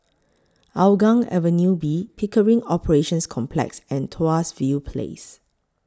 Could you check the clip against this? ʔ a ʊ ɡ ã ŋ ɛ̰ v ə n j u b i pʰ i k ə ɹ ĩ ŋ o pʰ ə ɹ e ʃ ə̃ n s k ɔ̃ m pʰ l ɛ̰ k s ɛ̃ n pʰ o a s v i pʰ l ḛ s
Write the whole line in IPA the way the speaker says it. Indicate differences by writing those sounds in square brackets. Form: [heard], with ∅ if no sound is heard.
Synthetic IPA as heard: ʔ a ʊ ɡ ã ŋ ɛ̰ v ə n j u b i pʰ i k ə ɹ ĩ ŋ [ɔ] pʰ ə ɹ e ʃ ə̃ n s [kʰ] ɔ̃ m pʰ l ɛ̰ k s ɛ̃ n [tʰ] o a s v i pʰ l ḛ s